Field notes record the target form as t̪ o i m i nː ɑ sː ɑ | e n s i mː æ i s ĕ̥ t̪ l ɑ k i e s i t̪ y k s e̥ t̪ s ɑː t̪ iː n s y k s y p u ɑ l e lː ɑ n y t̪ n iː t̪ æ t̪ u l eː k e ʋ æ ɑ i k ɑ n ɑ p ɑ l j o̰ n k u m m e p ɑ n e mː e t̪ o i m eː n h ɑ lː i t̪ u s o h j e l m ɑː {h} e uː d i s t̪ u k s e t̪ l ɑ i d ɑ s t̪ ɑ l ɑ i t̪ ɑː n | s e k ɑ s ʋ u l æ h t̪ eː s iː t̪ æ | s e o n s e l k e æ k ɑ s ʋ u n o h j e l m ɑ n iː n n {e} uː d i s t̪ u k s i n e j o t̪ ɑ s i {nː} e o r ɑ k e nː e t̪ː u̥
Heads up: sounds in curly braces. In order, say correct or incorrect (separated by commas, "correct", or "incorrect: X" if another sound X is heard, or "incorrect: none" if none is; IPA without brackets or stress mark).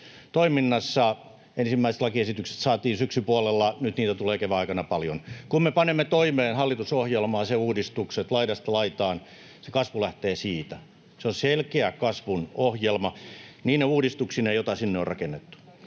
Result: incorrect: s, correct, correct